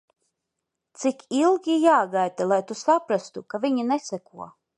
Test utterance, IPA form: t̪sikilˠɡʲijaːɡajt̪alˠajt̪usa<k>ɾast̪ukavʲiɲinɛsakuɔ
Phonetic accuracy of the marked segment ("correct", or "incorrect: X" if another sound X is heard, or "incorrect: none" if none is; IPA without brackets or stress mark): incorrect: p